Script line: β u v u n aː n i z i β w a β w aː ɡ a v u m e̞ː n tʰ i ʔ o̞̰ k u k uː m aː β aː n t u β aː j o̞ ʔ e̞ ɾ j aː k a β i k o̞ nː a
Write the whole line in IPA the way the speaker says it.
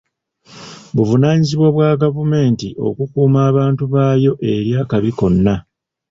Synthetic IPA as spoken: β u v u n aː ɲ i z i β w a β w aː ɡ a v u m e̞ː n t i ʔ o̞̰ k u k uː m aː β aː n t u β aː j o̞ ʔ e̞ ɾ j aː k a β i k o̞ nː a

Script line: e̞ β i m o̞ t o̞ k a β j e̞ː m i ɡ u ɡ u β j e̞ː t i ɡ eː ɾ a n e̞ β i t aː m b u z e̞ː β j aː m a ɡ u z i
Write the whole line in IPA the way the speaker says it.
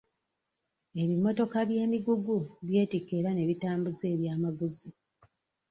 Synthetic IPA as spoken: e̞ β i m o̞ t o̞ k a β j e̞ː m i ɡ u ɡ u β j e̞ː t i k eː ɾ a n e̞ β i t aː m b u z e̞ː β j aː m a ɡ u z i

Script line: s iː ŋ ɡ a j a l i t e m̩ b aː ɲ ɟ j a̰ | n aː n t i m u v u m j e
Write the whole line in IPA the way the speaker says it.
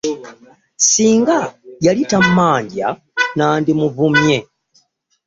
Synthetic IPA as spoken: s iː ŋ ɡ a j a l i t a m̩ m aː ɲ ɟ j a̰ | n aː n d i m u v u m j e

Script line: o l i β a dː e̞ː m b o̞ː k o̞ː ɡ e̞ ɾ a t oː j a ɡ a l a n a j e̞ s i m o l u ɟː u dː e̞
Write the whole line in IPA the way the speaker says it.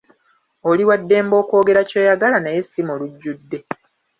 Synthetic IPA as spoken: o l i w a dː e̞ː m b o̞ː k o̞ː ɡ e̞ ɾ a c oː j a ɡ a l a n a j e̞ s i m o l u ɟː u dː e̞

